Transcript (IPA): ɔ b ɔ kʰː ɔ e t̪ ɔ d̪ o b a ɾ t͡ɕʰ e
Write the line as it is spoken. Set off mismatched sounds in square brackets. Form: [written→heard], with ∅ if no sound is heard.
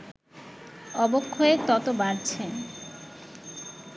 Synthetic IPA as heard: ɔ b [ɔ→o] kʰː [ɔ→o] e t̪ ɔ [d̪→t̪] o b a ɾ t͡ɕʰ e